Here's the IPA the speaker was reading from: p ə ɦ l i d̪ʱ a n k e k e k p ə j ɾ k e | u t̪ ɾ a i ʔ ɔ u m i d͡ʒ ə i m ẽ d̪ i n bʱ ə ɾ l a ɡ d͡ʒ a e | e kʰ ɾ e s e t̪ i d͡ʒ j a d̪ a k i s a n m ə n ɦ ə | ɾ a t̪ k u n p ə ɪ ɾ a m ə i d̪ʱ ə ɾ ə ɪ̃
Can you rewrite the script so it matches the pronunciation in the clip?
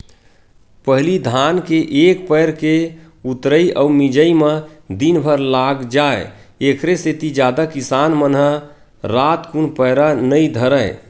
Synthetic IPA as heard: p ə ɦ l i d̪ʱ a n k e ʔ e k p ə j ɾ k e | u t̪ ɾ ə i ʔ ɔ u m i d͡ʒ ə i m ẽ d̪ i n bʱ ə ɾ l a ɡ d͡ʒ a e | e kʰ ɾ e s e t̪ i d͡ʒ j a d̪ a k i s a n m ə n ɦ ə | ɾ a t̪ k u n p ə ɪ ɾ a n ə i d̪ʱ ə ɾ ə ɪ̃